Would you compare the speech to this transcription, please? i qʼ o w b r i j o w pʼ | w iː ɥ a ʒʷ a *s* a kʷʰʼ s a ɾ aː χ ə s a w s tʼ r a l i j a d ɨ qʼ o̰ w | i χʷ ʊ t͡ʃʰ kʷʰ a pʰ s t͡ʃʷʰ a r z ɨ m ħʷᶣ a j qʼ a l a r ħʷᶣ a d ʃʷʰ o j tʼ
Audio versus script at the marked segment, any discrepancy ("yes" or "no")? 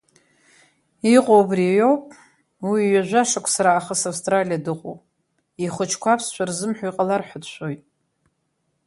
yes